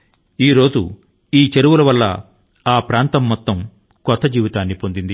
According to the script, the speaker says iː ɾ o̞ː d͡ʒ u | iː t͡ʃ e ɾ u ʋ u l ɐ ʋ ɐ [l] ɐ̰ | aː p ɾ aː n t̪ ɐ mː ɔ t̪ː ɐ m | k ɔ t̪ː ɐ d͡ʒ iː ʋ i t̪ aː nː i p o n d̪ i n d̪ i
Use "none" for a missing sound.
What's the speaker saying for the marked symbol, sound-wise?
lː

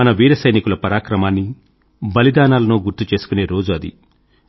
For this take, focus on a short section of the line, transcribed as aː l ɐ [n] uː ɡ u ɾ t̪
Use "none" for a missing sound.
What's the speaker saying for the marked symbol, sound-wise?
n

